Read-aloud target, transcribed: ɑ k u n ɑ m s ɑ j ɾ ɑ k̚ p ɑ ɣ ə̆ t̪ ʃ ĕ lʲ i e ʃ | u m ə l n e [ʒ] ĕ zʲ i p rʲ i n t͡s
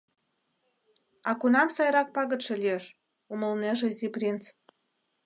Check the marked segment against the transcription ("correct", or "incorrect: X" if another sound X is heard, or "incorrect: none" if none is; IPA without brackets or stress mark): correct